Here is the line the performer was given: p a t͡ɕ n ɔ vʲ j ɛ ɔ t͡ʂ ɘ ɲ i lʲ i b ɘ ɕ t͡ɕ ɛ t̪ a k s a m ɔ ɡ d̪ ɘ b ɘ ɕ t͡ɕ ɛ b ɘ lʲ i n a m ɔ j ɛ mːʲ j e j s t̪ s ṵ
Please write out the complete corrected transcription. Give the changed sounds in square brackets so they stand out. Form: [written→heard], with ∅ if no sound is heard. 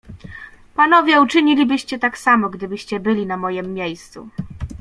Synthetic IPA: p a [t͡ɕ→∅] n ɔ vʲ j ɛ [ɔ→u] t͡ʂ ɘ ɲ i lʲ i b ɘ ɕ t͡ɕ ɛ t̪ a k s a m ɔ ɡ d̪ ɘ b ɘ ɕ t͡ɕ ɛ b ɘ lʲ i n a m ɔ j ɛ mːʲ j e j s t̪ s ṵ

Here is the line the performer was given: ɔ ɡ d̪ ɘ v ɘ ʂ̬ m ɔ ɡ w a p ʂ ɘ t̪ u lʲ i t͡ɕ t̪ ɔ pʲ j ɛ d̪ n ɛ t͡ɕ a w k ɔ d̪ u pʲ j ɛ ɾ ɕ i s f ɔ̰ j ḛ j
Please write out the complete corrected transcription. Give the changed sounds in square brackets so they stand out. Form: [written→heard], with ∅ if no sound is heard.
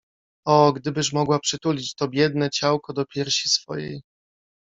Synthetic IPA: ɔ ɡ d̪ ɘ [v→b] ɘ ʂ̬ m ɔ ɡ w a p ʂ ɘ t̪ u lʲ i t͡ɕ t̪ ɔ [pʲ→bʲ] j ɛ d̪ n ɛ t͡ɕ a w k ɔ d̪ [u→ɔ] pʲ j ɛ ɾ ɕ i s f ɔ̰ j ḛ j

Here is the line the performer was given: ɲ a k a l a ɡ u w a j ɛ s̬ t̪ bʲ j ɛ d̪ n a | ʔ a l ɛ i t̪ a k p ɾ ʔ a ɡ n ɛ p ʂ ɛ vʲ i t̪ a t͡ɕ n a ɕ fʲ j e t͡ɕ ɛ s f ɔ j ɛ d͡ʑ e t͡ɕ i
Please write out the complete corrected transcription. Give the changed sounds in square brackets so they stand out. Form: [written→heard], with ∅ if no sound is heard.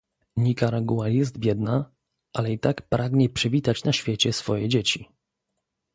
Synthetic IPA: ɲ [a→i] k a [l→ɾ] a ɡ u w a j ɛ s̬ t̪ bʲ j ɛ d̪ n a | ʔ a l ɛ i t̪ a k p ɾ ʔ a ɡ [n→ɲ] ɛ p ʂ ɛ vʲ i t̪ a t͡ɕ n a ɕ fʲ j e t͡ɕ ɛ s f ɔ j ɛ d͡ʑ e t͡ɕ i

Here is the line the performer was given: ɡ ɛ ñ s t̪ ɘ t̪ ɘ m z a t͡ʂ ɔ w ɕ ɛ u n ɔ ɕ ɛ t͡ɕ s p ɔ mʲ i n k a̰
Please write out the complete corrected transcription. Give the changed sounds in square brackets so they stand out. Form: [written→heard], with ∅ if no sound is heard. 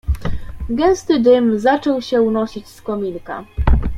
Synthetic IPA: ɡ ɛ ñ s t̪ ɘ [t̪→d̪] ɘ m z a t͡ʂ ɔ w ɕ ɛ u n ɔ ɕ [ɛ→i] t͡ɕ s [p→k] ɔ mʲ i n k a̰

